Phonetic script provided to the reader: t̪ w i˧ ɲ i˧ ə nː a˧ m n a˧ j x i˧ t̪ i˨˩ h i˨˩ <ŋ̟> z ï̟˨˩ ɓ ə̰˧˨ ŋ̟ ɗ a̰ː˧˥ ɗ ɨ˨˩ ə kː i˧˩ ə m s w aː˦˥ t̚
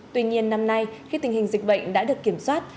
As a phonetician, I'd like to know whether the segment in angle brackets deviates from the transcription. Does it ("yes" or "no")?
no